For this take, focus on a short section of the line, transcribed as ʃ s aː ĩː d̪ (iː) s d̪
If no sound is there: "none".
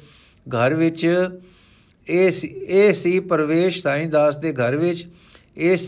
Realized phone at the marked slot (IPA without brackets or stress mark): aː